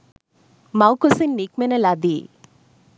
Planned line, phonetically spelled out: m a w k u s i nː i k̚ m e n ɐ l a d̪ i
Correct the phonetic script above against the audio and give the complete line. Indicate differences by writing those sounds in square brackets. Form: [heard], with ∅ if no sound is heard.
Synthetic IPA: m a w k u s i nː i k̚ m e n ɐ l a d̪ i